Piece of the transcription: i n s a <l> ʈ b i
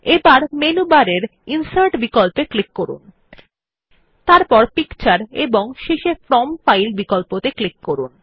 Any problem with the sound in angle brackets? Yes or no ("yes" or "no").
yes